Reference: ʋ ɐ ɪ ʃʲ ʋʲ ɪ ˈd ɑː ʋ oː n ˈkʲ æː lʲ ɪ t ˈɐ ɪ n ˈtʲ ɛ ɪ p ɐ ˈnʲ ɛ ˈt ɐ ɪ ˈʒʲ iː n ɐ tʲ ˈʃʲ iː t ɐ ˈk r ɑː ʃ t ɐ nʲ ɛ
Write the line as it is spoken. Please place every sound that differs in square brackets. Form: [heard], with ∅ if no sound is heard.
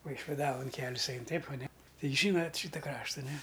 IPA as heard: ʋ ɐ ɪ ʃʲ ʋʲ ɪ ˈd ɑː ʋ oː n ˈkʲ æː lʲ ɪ [s] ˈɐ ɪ n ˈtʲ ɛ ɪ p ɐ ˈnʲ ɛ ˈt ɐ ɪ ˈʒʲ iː n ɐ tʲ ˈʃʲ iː t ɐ ˈk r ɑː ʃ t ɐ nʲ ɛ